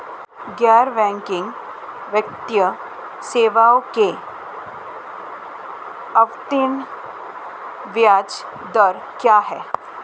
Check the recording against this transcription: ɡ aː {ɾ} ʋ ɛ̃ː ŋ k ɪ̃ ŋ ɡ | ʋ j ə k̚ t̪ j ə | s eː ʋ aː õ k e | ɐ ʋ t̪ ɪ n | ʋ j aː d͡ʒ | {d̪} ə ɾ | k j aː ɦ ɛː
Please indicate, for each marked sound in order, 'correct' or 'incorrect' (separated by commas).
correct, correct